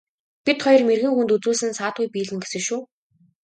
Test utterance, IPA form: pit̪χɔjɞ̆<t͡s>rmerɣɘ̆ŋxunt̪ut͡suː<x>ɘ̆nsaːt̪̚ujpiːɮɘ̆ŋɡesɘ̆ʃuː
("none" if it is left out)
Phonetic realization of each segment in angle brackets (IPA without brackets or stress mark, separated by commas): none, s